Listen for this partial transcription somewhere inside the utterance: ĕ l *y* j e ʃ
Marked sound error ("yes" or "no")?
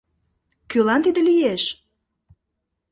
yes